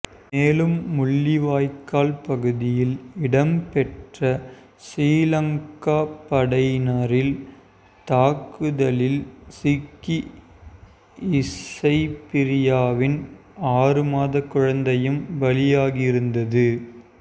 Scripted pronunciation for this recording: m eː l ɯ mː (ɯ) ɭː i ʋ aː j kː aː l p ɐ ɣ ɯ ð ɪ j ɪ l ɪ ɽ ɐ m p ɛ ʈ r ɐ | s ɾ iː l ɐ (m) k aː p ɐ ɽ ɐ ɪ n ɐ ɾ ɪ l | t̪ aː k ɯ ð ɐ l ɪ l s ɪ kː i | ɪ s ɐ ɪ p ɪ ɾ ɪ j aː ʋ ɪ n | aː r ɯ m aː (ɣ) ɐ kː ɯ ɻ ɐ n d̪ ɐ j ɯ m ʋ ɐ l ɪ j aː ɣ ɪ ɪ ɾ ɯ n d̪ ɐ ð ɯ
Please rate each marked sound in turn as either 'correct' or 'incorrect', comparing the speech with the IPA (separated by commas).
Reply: incorrect, incorrect, incorrect